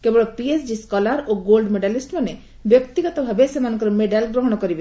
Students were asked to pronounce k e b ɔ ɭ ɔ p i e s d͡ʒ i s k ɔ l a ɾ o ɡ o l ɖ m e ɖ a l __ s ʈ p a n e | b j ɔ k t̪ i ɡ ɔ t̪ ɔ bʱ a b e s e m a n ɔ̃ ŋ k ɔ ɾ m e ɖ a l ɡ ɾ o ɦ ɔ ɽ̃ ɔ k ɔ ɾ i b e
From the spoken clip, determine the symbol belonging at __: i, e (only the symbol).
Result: i